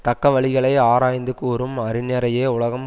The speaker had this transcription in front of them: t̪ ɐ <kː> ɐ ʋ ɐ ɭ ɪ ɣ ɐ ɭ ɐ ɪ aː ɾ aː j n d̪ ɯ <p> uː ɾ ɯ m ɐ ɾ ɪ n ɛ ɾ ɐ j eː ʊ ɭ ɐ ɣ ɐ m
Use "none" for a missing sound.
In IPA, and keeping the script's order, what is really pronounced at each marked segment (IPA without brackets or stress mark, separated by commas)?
kː, k